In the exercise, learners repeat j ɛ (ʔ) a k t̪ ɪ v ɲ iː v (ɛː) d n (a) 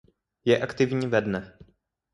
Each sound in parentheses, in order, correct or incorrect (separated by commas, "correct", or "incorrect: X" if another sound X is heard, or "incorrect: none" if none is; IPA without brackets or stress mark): correct, incorrect: ɛ, incorrect: ɛ